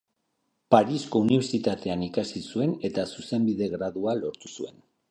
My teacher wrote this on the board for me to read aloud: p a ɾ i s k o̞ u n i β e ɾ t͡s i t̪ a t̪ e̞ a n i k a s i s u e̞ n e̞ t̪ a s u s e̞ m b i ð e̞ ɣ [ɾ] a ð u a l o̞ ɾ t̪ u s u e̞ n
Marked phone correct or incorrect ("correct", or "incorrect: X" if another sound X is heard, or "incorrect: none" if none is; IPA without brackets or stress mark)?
correct